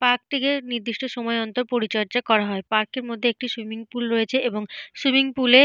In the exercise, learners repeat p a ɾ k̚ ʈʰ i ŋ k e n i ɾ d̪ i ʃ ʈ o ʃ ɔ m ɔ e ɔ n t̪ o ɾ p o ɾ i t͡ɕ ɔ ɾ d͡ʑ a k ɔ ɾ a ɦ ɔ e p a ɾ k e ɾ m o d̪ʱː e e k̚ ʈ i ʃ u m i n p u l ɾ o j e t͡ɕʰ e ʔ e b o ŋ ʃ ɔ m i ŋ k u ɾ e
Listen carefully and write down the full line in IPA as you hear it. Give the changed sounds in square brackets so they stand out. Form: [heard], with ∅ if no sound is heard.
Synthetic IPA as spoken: p a ɾ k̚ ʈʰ i [∅] k e n i ɾ d̪ i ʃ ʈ o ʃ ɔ m ɔ e ɔ n t̪ o ɾ p o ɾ i t͡ɕ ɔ ɾ d͡ʑ a k ɔ ɾ a ɦ ɔ e p a ɾ k e ɾ m o d̪ʱː e e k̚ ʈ i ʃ u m i [ŋ] p u l ɾ o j e t͡ɕʰ e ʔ e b o ŋ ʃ [u] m i ŋ [p] u [l] e